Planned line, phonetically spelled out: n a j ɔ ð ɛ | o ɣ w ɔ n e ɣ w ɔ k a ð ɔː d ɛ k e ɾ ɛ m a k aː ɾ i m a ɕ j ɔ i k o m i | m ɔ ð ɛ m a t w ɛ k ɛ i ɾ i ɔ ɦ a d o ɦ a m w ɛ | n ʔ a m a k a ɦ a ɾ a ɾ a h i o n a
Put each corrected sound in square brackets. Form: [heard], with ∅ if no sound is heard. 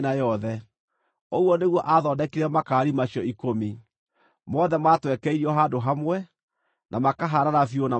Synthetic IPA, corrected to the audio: n a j ɔ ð ɛ | o ɣ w ɔ n e ɣ w ɔ [ʔ] a ð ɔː d ɛ k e ɾ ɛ m a k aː ɾ i m a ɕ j ɔ i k o m i | m ɔ ð ɛ m a t w ɛ k ɛ i ɾ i ɔ ɦ a d o ɦ a m w ɛ | n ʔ a m a k a ɦ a ɾ a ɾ a [f] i o n a